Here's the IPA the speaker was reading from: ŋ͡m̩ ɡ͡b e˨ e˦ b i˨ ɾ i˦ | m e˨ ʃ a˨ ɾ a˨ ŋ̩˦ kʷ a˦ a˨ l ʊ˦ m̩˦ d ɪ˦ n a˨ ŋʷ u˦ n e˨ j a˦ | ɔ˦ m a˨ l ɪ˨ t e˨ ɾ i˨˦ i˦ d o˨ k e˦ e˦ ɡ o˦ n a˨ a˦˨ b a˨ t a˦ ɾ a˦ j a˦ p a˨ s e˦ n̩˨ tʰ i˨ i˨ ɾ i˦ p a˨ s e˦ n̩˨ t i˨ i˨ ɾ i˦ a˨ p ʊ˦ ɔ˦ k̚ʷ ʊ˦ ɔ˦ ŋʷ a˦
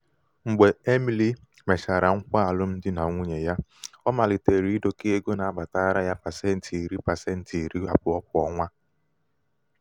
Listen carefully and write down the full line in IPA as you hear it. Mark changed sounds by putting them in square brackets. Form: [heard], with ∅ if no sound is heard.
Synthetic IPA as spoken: ŋ͡m̩ ɡ͡b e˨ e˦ [m] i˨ [l] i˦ | m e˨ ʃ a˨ ɾ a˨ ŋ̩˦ kʷ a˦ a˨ l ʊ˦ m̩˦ d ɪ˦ n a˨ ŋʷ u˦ [ɲ] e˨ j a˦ | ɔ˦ m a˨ l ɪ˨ t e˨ ɾ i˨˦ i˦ d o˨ k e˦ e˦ ɡ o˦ n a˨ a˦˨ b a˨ t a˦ ɾ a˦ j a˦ p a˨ s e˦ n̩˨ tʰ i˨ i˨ ɾ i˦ p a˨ s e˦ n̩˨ t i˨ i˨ ɾ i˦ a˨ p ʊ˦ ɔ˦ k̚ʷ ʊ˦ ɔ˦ ŋʷ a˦